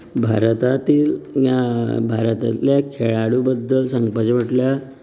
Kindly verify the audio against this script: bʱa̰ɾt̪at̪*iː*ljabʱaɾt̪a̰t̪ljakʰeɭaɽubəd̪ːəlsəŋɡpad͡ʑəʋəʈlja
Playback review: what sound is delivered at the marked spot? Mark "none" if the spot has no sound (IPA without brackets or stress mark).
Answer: iː